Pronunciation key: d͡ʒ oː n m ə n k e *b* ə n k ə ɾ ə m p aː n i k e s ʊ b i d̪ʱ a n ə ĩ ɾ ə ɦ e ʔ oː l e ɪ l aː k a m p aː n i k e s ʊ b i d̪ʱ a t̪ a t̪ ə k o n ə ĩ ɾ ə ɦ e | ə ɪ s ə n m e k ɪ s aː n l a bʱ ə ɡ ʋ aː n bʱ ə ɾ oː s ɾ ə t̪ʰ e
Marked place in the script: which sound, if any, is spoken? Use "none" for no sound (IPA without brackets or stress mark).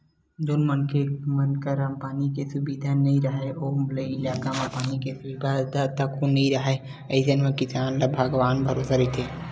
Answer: m